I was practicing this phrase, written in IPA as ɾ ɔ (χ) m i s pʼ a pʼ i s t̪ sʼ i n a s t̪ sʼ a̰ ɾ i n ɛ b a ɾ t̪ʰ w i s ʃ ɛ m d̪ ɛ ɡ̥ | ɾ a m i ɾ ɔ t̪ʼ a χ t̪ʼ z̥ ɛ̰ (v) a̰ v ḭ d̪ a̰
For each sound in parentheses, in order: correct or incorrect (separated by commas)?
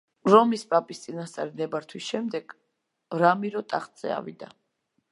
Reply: incorrect, incorrect